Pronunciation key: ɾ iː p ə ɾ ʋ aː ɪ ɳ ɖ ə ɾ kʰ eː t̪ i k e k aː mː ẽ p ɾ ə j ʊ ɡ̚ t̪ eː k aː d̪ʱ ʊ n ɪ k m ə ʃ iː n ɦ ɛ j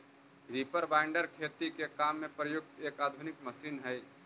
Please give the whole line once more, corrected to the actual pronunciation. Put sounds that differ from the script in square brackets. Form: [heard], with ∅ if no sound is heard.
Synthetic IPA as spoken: ɾ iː p ə ɾ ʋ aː ɪ ɳ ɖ ə ɾ kʰ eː t̪ i k e k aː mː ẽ p ɾ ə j ʊ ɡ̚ t̪ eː k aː d̪ʱ ʊ n ɪ k m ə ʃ iː n ɦ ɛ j